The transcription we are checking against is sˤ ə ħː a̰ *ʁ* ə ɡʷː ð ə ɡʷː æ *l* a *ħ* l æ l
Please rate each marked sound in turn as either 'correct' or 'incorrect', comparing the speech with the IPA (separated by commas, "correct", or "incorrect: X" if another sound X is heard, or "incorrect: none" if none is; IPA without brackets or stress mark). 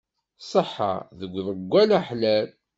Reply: incorrect: ð, correct, correct